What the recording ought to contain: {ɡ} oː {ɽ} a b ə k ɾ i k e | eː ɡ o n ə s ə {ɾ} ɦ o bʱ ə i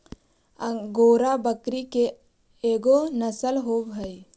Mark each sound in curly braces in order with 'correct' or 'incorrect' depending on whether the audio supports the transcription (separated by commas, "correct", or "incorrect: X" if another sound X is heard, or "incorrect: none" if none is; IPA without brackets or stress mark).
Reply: correct, incorrect: ɾ, incorrect: l